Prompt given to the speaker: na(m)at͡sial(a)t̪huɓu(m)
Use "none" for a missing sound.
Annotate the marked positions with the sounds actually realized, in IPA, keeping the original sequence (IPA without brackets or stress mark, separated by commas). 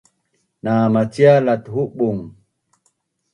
m, a, ŋ